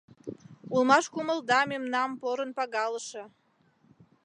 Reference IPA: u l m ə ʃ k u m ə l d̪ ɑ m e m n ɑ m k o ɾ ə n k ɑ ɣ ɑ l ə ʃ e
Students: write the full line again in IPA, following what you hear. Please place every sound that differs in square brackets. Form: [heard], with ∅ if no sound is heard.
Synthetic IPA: u l m [ɑ] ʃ k u m ə l d̪ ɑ m e m n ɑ m [p] o ɾ ə n [p] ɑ ɣ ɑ l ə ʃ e